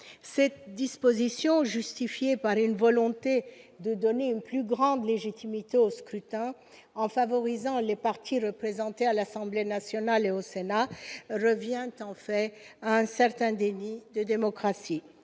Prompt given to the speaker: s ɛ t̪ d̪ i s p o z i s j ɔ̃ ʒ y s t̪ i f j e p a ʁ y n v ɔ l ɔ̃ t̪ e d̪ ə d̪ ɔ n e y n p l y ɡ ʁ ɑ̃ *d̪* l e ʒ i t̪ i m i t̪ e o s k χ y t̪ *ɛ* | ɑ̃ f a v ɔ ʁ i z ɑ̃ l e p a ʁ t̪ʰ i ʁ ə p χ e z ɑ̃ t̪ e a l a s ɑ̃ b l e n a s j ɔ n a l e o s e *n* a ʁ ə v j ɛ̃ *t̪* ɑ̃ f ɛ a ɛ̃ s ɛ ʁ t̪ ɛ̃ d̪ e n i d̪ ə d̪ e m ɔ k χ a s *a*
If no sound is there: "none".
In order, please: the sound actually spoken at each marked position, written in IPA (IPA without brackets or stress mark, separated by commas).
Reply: d̪, ɛ̃, n, t̪, i